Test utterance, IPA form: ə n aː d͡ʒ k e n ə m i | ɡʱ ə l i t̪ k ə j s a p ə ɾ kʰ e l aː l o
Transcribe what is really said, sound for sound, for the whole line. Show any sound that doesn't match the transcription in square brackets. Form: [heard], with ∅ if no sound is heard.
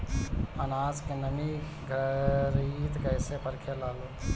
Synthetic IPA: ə n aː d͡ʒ k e n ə m i | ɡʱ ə [ɾ] i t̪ k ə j s [e] p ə ɾ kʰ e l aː l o